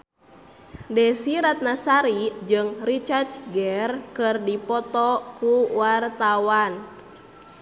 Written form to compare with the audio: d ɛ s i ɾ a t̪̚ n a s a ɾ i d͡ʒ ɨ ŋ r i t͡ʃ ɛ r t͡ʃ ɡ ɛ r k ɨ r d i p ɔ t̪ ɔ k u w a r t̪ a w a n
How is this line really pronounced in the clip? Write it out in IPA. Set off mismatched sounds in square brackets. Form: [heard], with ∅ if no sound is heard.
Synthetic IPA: d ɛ s i ɾ a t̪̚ n a s a ɾ i d͡ʒ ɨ ŋ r i t͡ʃ [a] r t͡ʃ ɡ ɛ r k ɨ r d i p ɔ t̪ ɔ k u w a r t̪ a w a n